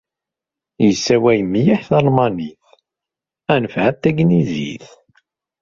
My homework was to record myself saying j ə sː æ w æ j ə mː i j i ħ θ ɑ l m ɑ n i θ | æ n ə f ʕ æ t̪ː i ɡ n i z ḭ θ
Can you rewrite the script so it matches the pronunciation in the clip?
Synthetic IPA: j ə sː æ w æ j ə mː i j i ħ θ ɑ l m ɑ n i θ | æ n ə f ʕ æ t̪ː æ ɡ n i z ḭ θ